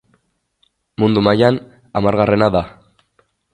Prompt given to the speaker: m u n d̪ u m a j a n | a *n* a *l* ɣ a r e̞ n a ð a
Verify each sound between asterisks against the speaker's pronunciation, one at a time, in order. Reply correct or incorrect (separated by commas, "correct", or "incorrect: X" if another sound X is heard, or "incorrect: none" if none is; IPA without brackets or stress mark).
incorrect: m, incorrect: ɾ